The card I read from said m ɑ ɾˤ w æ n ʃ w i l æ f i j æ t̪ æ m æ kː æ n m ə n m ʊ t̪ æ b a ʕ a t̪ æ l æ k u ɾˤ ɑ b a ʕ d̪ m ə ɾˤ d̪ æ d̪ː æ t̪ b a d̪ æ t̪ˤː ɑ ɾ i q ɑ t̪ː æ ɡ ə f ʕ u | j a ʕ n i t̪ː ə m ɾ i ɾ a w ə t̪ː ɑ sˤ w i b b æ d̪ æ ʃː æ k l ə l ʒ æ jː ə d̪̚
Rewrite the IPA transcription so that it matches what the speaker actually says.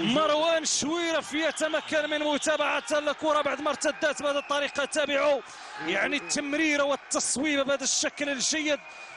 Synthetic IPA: m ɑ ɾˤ w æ n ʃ w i ɾ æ f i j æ t̪ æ m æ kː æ n m ə n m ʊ t̪ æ b a ʕ a t̪ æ l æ k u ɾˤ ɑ b a ʕ d̪ m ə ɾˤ t̪ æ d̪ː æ t̪ b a d̪ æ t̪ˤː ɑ ɾ i q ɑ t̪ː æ b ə ʕ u | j a ʕ n i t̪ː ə m ɾ i ɾ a w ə t̪ː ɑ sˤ w i b b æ d̪ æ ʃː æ k l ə l ʒ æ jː ə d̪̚